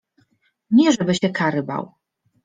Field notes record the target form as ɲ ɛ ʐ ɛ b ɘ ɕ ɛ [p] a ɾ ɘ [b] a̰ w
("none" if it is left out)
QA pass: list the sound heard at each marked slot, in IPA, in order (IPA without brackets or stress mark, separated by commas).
k, b